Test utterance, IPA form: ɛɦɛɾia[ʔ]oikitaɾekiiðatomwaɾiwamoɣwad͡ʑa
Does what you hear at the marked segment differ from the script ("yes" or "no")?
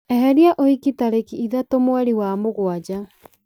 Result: no